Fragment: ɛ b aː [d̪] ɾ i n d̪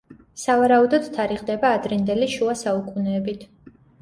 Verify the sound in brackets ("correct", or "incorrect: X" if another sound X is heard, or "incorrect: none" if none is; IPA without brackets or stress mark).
correct